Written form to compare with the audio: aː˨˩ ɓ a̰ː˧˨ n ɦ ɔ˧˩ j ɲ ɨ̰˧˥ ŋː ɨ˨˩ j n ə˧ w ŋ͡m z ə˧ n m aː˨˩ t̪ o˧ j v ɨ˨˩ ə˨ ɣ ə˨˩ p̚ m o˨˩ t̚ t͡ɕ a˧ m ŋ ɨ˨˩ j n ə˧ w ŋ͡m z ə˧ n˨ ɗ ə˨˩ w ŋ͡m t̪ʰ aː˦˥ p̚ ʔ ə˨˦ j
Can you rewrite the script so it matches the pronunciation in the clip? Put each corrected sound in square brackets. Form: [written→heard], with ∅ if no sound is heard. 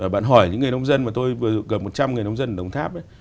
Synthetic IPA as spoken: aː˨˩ ɓ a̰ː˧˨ n ɦ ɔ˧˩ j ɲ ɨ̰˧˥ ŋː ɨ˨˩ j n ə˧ w ŋ͡m z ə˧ n m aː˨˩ t̪ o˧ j v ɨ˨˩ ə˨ ɣ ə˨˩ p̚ m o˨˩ t̚ t͡ɕ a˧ m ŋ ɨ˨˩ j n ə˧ w ŋ͡m z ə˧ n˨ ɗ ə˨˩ w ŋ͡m t̪ʰ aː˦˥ p̚ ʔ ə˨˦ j